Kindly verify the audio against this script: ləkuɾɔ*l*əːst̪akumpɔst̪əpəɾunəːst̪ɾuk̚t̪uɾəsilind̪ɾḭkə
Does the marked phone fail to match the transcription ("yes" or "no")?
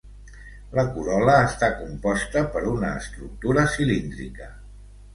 no